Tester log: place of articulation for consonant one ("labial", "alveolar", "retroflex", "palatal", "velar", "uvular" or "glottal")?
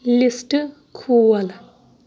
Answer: alveolar